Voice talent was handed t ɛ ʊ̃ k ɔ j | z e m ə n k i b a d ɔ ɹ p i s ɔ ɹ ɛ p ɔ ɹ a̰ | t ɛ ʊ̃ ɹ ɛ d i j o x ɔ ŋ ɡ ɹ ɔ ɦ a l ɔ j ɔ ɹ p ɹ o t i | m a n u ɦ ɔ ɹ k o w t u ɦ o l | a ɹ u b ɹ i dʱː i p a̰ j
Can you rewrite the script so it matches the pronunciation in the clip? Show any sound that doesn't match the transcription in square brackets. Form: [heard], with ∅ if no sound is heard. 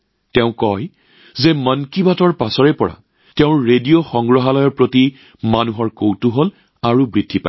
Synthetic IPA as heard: t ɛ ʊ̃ k ɔ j | z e m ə n k i b a [t] ɔ ɹ p [a] s ɔ ɹ ɛ p ɔ ɹ a̰ | t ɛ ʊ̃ ɹ [e] d i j o x ɔ ŋ ɡ ɹ ɔ ɦ a l ɔ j ɔ ɹ p ɹ o t i | m a n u ɦ ɔ ɹ k o w t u ɦ o l | a ɹ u b ɹ i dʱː i p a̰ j